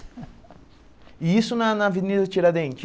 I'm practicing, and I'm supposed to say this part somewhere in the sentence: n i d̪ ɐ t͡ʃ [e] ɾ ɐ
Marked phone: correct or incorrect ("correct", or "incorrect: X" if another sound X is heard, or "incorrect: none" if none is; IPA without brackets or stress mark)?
incorrect: i